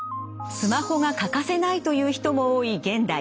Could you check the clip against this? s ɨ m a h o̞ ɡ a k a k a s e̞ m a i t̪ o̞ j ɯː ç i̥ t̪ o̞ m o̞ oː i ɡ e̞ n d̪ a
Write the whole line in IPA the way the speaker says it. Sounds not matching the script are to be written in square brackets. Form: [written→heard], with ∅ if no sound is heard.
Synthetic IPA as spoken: s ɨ m a h o̞ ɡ a k a k a s e̞ [m→n] a i t̪ o̞ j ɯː ç i̥ t̪ o̞ m o̞ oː i ɡ [e̞→ẽ̞] n d̪ a